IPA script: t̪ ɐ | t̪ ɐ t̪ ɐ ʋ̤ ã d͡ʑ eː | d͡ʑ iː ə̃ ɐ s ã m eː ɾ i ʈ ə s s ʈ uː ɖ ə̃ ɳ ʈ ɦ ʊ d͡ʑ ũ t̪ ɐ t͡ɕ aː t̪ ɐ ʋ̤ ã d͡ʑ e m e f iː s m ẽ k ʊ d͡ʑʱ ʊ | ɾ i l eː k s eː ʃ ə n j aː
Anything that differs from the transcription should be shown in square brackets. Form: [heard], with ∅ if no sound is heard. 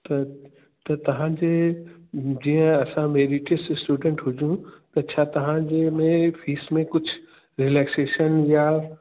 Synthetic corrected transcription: t̪ ɐ | t̪ ɐ t̪ ɐ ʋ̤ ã d͡ʑ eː | d͡ʑ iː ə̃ ɐ s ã m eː ɾ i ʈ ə s s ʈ uː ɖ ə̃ ɳ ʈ ɦ ʊ d͡ʑ ũ t̪ ɐ [t͡ɕʰ] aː t̪ ɐ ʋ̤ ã d͡ʑ e m [ẽ] f iː s m ẽ k ʊ d͡ʑʱ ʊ | ɾ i l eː k s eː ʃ ə n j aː